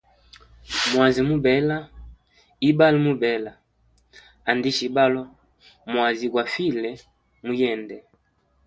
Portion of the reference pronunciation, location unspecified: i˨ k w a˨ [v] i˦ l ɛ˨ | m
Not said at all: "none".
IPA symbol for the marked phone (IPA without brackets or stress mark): f